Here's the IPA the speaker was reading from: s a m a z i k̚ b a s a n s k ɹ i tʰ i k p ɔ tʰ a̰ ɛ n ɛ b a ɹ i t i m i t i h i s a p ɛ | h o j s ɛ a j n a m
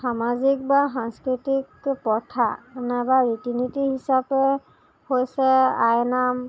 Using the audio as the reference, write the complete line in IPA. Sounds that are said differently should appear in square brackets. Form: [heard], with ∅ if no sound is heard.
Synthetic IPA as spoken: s a m a z i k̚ b a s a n s k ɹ i [t] i k p ɔ tʰ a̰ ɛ n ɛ b a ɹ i t i [n] i t i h i s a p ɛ | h o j s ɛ a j n a m